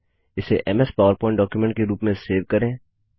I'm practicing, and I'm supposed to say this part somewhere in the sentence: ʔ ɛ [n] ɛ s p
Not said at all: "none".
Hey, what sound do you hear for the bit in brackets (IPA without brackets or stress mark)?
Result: m